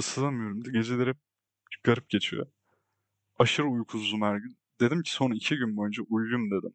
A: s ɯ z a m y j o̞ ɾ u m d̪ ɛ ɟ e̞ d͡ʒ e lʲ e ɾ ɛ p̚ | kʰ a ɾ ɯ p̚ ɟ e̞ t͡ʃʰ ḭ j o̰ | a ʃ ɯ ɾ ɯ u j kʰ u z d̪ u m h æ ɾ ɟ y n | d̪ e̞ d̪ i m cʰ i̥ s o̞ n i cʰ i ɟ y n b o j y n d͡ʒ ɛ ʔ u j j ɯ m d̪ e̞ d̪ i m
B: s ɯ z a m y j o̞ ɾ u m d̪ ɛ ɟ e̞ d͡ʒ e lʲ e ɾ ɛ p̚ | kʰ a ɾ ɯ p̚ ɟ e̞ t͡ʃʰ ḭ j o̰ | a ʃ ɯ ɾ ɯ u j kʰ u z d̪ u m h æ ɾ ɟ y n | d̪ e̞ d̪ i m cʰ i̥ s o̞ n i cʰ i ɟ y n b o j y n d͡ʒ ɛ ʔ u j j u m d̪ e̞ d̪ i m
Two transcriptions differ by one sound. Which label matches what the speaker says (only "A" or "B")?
B